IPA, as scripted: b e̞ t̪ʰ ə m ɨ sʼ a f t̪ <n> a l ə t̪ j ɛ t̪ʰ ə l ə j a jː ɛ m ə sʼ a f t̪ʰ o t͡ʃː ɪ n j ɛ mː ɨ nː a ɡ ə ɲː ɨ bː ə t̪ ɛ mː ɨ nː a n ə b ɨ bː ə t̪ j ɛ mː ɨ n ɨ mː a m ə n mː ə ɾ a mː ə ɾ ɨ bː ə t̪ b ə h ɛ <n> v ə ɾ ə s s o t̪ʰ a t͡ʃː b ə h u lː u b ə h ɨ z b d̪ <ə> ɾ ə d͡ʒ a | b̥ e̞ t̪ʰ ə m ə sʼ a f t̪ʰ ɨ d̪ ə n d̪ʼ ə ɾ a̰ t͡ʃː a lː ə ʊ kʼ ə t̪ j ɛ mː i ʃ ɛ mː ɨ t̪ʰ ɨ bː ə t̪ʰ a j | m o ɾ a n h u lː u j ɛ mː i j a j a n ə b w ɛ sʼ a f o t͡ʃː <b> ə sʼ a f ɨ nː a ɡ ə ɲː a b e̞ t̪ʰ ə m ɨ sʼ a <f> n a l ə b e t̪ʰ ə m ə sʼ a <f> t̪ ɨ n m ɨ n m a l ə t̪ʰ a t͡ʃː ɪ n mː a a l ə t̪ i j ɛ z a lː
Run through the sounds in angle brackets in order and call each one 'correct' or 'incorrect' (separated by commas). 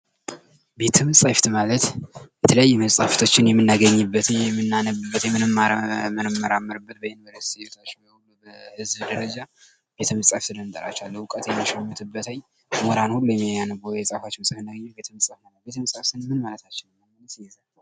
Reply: incorrect, correct, correct, incorrect, correct, correct